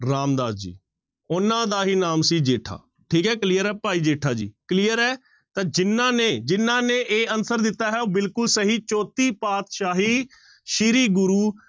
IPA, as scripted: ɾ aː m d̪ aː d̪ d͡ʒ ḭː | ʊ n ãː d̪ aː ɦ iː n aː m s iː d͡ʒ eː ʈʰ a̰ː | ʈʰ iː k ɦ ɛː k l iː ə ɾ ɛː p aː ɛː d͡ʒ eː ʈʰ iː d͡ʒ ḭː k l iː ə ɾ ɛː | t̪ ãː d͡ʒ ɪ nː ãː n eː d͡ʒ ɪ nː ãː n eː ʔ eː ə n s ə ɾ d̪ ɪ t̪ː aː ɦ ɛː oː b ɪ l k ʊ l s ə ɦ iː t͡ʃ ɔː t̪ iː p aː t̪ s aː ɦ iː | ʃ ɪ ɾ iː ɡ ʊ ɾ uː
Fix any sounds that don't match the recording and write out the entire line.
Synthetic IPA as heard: ɾ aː m d̪ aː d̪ d͡ʒ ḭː | ʊ n ãː d̪ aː ɦ iː n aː m s iː d͡ʒ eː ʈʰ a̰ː | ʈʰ iː k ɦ ɛː k l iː ə ɾ ɛː p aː iː d͡ʒ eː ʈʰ aː d͡ʒ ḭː k l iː ə ɾ ɛː | t̪ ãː d͡ʒ ɪ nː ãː n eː d͡ʒ ɪ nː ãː n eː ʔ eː ə n s ə ɾ d̪ ɪ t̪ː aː ɦ ɛː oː b ɪ l k ʊ l s ə ɦ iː t͡ʃ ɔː t̪ iː p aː t̪ ʃ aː ɦ iː | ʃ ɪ ɾ iː ɡ ʊ ɾ uː